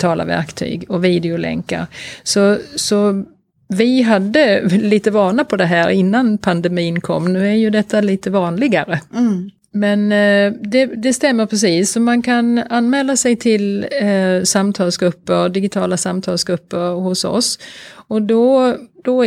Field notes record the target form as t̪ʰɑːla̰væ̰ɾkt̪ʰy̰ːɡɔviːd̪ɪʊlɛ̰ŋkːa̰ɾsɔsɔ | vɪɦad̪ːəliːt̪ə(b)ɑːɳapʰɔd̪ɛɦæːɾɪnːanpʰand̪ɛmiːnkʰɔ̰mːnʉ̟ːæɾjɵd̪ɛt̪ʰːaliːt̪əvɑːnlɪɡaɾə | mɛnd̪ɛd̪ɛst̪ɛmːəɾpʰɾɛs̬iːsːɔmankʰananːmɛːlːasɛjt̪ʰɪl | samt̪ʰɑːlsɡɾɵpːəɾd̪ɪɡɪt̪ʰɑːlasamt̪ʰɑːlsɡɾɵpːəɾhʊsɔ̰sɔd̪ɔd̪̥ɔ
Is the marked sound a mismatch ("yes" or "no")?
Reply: yes